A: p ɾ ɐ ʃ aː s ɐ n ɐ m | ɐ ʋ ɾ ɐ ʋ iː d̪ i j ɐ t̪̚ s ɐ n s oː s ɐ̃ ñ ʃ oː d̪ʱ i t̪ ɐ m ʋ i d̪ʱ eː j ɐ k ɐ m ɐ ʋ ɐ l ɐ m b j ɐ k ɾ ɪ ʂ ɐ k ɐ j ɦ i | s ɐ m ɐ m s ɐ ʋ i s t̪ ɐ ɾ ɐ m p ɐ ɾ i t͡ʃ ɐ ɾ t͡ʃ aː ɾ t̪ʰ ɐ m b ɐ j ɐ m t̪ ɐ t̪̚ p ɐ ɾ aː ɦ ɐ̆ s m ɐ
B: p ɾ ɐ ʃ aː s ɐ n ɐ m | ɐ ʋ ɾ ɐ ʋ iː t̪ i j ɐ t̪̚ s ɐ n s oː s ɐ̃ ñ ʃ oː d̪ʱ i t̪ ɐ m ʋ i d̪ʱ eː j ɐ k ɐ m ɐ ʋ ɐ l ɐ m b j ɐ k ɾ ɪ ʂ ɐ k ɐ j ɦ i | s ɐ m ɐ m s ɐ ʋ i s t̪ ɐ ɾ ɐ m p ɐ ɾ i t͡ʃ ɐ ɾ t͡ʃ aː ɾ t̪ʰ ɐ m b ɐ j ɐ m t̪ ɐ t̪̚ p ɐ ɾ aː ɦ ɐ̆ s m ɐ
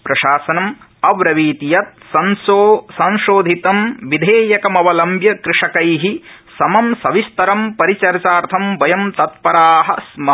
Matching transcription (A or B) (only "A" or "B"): B